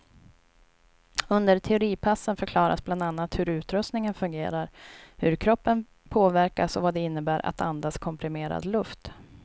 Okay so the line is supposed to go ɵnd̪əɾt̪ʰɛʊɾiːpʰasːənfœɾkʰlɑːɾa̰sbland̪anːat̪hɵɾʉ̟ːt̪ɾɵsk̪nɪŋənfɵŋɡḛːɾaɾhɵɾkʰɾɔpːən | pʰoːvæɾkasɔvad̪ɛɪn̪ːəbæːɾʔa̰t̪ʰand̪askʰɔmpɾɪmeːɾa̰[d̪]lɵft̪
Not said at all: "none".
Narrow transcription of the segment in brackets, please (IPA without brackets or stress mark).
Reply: d̪